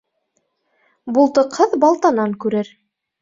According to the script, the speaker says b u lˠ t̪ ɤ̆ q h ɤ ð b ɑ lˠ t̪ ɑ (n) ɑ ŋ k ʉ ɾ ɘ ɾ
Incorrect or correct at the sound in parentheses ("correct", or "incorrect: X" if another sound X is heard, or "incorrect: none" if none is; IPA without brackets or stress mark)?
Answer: correct